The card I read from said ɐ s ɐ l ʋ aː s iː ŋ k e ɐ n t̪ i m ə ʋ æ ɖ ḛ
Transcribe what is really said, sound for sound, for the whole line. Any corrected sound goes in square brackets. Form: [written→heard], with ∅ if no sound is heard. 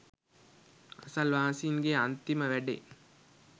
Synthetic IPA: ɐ s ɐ l ʋ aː s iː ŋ [k→ɡ] e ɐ n t̪ i m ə ʋ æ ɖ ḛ